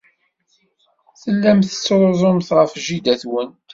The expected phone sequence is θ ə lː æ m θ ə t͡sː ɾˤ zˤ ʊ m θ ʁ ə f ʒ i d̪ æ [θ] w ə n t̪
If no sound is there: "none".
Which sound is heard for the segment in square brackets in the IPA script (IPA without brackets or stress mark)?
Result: θ